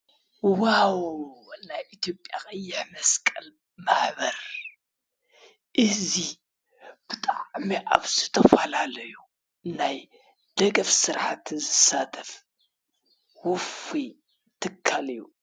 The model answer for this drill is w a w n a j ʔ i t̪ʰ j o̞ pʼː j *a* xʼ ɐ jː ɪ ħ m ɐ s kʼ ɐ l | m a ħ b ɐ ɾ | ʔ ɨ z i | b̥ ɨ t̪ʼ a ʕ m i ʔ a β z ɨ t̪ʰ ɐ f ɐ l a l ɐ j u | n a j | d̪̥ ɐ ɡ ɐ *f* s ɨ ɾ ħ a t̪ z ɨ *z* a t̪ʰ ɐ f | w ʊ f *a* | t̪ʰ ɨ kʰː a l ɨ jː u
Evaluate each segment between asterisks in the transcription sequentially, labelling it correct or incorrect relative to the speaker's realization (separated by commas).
correct, correct, incorrect, incorrect